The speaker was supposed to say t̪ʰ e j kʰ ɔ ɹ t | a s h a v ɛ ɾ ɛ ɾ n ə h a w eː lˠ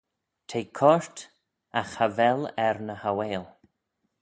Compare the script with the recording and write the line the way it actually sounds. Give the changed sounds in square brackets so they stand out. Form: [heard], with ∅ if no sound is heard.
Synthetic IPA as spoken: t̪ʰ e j kʰ ɔ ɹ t | a [x] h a v ɛ [l] ɛ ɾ n ə h a w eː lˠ